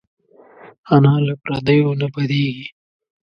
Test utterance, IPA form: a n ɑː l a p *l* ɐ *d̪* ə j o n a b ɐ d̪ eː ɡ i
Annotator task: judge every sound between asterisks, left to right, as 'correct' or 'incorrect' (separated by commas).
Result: incorrect, correct